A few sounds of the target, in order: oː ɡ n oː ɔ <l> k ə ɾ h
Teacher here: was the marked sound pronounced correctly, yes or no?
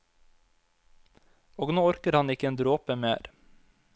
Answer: no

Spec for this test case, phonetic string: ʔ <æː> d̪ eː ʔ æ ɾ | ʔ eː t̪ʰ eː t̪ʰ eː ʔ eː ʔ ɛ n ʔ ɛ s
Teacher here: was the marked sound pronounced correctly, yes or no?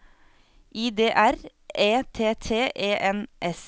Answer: no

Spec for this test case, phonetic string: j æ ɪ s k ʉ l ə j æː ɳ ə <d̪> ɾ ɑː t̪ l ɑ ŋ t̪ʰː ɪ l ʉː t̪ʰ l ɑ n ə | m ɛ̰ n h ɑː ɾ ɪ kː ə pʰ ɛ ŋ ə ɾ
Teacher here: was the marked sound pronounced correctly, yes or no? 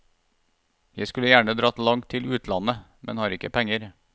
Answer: yes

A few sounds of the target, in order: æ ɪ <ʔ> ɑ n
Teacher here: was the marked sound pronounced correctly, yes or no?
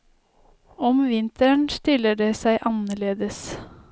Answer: yes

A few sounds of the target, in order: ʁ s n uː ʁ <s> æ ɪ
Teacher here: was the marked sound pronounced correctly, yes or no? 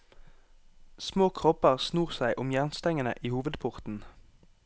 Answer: yes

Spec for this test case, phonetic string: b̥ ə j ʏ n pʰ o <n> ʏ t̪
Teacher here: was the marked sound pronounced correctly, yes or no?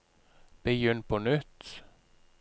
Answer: yes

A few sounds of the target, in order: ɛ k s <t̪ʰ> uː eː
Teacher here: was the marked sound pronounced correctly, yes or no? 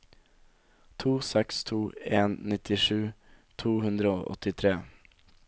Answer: yes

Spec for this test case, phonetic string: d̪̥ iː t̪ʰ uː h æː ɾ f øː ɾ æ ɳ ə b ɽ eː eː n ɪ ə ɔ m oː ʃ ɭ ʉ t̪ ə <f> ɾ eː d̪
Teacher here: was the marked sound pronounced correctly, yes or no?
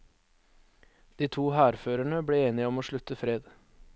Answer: yes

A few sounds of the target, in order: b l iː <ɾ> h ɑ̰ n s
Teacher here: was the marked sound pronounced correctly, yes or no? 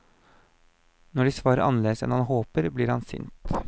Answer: yes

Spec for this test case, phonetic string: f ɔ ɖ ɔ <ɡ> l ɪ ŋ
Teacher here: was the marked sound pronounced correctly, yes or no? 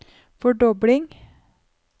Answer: no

